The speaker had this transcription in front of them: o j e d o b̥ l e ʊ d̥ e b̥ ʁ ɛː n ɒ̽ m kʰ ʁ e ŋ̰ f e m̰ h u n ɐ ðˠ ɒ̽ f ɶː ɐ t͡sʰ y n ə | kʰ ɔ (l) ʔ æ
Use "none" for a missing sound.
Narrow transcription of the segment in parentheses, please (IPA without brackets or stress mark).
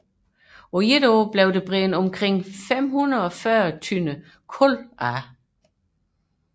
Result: l